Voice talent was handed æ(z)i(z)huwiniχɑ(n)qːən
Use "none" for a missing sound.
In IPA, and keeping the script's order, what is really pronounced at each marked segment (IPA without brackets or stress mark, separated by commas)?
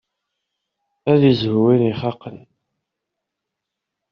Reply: ð, z, none